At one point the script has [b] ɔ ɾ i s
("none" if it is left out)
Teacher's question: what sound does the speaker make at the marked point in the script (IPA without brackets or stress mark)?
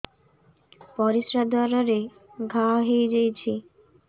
p